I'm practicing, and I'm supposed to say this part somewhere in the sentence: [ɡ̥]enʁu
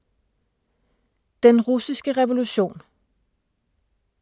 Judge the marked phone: incorrect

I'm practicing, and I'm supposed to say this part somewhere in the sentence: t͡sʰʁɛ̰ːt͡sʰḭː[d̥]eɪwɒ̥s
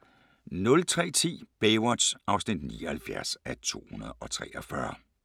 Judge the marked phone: incorrect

